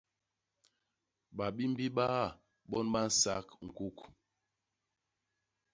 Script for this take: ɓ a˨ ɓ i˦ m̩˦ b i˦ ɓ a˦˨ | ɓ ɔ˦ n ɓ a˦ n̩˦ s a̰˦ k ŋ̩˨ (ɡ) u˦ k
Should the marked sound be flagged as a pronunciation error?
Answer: yes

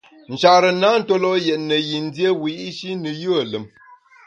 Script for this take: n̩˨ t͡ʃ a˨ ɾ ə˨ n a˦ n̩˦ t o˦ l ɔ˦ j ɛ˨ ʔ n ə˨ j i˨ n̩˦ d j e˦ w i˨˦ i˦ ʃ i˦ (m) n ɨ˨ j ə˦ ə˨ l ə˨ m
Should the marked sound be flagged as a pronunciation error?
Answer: yes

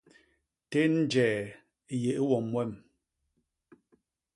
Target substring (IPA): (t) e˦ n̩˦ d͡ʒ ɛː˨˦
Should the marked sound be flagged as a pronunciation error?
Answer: no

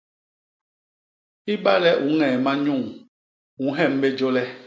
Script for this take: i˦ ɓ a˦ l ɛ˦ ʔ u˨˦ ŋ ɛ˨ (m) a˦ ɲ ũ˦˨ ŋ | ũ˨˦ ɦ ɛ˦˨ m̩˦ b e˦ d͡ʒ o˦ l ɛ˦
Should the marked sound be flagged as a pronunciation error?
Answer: no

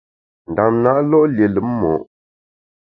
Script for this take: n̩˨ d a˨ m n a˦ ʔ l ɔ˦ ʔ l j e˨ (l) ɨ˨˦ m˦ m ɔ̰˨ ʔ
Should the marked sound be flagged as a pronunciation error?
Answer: no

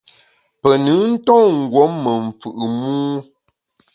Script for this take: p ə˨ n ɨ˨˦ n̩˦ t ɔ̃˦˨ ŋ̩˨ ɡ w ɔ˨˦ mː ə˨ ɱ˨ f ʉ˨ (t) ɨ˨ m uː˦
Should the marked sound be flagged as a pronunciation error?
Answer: yes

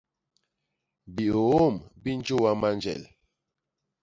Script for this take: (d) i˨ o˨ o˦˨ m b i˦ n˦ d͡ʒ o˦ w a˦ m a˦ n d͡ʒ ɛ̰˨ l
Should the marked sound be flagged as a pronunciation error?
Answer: yes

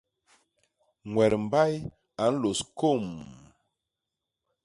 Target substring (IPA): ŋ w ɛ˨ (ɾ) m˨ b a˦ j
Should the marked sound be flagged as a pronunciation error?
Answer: no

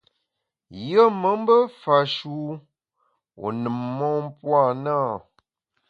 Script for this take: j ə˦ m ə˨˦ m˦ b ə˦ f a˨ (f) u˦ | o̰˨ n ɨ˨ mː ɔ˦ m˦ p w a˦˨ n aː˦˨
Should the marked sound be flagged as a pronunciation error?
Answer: yes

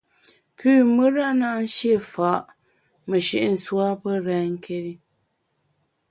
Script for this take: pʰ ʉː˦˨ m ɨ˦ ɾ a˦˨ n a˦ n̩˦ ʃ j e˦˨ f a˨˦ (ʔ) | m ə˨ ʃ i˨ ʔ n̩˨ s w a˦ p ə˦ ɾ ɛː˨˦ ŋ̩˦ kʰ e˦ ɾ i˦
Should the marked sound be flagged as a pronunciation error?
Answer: no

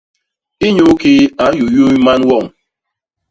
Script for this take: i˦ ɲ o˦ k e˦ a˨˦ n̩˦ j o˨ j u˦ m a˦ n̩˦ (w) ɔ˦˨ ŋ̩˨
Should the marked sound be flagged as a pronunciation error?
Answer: no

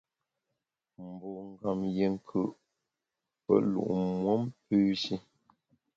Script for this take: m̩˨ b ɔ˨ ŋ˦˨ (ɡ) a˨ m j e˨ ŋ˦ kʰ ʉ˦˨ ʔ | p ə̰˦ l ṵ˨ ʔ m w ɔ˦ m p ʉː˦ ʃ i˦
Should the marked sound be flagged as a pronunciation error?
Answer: no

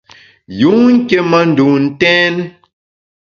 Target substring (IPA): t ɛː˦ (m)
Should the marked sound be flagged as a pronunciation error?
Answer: yes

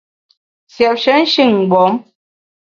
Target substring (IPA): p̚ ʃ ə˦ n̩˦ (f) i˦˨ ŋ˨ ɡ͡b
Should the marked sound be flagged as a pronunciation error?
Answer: yes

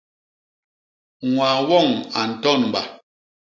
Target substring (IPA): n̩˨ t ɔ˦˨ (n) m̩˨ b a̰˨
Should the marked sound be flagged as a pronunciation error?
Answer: no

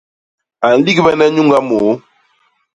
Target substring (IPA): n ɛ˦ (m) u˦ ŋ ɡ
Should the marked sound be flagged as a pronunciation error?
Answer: yes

